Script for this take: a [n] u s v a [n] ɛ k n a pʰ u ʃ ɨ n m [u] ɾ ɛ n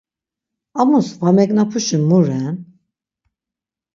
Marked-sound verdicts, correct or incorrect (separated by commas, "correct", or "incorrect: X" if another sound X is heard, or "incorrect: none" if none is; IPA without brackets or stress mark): incorrect: m, incorrect: m, correct